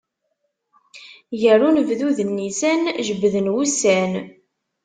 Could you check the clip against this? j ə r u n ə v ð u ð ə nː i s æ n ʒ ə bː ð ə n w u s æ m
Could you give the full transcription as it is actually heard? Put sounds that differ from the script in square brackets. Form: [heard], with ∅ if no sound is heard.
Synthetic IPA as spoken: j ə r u n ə v ð u ð ə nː i s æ n ʒ ə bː ð ə n w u s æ [n]

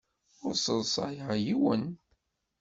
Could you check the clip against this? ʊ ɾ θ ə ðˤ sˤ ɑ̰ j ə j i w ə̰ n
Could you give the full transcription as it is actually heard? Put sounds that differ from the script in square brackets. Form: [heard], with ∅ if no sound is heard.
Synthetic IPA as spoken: ʊ ɾ [s] ə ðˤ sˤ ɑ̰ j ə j i w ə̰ n

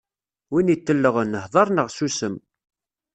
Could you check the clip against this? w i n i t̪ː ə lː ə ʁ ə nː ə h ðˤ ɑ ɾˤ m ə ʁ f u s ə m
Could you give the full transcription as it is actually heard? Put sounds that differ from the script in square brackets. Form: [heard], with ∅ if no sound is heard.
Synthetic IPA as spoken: w i n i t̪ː ə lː ə ʁ ə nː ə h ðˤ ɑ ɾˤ [n] ə ʁ [s] u s ə m

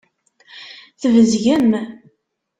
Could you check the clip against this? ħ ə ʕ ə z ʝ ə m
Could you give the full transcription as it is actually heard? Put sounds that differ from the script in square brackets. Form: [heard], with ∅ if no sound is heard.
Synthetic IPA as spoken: [θ] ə [v] ə z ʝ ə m

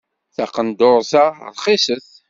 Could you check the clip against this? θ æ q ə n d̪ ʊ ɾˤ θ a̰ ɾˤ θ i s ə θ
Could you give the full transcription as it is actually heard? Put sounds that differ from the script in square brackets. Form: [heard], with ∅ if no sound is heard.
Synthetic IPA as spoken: θ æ q ə n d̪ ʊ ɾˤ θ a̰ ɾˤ [χ] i s ə θ

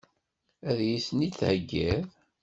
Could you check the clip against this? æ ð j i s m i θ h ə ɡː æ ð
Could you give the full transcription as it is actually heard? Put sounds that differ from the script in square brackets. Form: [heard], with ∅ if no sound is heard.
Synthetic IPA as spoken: æ ð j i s [n] i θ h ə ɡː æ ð

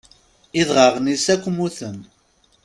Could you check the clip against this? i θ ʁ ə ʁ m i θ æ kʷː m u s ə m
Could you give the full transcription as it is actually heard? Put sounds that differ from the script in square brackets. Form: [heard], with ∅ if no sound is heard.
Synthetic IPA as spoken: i [ð] ʁ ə ʁ [n] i [s] æ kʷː m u [θ] ə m

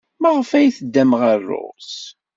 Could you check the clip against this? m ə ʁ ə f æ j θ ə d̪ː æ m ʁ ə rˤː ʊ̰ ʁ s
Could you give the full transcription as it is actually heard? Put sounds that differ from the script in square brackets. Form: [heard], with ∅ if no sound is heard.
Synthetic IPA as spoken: m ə ʁ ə f æ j θ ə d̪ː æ m ʁ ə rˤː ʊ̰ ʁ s

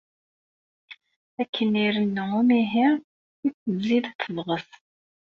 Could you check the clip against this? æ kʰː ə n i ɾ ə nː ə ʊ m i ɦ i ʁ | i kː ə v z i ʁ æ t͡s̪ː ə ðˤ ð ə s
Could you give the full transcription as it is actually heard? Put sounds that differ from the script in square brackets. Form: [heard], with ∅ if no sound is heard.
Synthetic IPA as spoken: æ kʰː ə n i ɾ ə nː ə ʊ m i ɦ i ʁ | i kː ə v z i [ð] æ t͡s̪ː ə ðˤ [ʁ] ə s

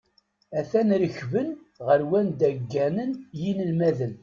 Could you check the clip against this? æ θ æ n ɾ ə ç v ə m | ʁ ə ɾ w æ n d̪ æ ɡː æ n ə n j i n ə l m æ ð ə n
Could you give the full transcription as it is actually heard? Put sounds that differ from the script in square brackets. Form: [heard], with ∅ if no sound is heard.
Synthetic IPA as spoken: æ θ æ n ɾ ə ç v ə [n] | ʁ ə ɾ w æ n d̪ æ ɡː æ n ə n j i n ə l m æ ð ə n

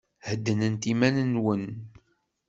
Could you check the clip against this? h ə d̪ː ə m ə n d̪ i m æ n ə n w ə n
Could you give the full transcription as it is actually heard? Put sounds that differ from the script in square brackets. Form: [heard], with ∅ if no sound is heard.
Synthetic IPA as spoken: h ə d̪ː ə [n] ə n [t̪] i m æ n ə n w ə n

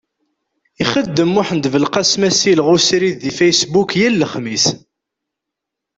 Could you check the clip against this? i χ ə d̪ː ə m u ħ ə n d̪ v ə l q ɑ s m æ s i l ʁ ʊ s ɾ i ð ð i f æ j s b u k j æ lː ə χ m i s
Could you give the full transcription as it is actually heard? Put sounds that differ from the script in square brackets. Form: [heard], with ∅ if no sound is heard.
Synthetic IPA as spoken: i χ ə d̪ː ə m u ħ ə n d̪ v ə l q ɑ s m æ s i l ʁ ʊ s ɾ i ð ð i f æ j s b u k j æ lː ə χ m i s

